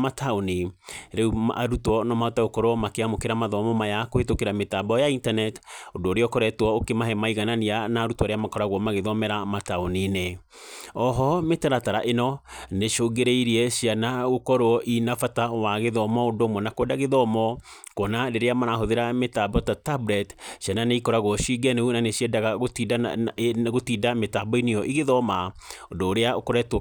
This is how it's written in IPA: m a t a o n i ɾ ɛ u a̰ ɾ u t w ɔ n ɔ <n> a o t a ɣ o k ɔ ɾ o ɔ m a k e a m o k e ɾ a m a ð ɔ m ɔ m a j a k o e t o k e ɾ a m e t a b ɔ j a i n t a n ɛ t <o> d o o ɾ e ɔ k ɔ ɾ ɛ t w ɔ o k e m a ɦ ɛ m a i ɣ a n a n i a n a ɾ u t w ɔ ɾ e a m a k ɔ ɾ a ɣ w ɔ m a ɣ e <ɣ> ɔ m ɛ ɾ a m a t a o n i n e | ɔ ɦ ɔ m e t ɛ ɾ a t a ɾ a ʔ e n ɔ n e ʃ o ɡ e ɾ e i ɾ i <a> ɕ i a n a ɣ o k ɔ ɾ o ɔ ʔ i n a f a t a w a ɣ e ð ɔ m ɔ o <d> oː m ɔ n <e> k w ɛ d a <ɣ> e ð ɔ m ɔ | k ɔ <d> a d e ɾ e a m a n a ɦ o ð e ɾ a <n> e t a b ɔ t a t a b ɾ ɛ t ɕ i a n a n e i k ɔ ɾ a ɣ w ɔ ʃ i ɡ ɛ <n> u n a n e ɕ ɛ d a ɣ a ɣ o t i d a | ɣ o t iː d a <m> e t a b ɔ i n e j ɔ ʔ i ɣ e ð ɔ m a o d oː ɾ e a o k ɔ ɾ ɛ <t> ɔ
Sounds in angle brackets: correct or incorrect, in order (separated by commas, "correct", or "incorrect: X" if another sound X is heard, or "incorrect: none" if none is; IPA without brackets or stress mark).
incorrect: m, correct, incorrect: ð, incorrect: ɛ, correct, incorrect: a, correct, incorrect: n, incorrect: m, correct, correct, correct